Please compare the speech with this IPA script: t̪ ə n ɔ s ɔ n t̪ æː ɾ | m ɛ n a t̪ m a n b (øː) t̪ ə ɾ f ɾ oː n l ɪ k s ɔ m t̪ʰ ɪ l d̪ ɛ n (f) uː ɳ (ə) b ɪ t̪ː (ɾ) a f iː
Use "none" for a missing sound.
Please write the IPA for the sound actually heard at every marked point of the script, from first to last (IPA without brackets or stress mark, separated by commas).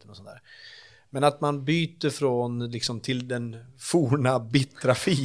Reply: yː, f, a, ɾ